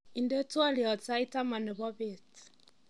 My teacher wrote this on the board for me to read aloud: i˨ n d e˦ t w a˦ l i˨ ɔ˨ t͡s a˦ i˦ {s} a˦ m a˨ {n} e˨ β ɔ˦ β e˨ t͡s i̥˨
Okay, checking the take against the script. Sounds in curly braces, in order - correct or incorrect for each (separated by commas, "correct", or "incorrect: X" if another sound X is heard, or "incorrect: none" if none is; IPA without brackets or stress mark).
incorrect: t, correct